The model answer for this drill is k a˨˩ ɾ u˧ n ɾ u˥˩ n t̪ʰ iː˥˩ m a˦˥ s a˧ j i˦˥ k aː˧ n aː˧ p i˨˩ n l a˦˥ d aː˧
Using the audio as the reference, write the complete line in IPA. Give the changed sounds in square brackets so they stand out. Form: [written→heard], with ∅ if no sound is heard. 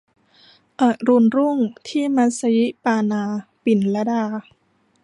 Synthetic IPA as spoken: [k→ʔ] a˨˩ ɾ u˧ n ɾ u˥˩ [n→ŋ] t̪ʰ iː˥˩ m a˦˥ s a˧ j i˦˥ [k→p] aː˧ n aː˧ p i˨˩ n l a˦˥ d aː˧